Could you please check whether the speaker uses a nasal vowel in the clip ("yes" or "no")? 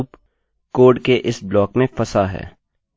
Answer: yes